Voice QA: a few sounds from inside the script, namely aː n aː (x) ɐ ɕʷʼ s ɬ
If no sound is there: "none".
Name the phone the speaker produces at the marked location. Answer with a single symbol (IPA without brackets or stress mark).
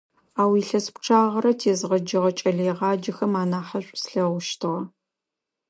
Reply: ħ